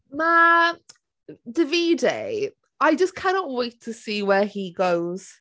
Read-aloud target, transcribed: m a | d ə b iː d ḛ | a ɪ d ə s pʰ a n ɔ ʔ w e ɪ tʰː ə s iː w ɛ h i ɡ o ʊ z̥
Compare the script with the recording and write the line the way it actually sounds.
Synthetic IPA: m a | d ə v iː d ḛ | a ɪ d͡ʒ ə s kʰ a n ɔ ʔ w e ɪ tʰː ə s iː w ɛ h i ɡ o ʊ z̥